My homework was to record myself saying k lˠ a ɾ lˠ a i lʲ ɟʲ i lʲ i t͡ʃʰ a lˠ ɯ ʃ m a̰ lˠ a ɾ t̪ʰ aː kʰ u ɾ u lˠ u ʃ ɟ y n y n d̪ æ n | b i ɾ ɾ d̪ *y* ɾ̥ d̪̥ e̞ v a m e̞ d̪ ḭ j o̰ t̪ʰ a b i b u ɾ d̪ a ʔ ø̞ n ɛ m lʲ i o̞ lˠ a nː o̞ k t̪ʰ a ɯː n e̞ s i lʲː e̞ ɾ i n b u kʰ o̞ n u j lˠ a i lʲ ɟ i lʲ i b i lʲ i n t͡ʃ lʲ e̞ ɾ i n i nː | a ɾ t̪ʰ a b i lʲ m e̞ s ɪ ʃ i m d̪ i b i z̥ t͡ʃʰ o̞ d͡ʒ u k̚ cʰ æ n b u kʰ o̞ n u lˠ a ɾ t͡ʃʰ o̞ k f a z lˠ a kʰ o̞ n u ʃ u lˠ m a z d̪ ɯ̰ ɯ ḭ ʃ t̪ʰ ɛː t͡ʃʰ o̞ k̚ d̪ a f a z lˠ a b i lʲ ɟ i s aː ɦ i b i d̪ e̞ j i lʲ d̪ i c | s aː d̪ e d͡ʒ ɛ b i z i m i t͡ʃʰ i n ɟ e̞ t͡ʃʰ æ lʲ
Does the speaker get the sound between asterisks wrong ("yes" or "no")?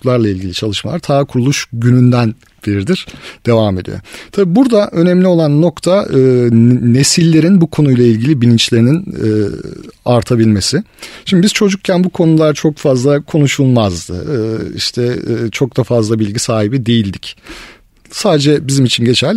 yes